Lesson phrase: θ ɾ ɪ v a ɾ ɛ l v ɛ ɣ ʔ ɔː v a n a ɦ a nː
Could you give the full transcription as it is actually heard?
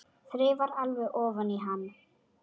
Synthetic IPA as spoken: θ ɾ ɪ v a ɾ a l v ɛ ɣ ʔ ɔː v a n i ɦ a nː